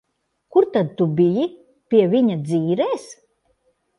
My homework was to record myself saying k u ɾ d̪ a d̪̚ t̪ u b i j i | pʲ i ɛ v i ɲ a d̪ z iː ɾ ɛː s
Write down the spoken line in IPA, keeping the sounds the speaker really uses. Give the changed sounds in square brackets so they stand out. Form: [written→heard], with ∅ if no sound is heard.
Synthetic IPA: k u ɾ [d̪→t̪] a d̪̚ t̪ u b i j i | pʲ i ɛ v i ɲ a d̪ z iː ɾ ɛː s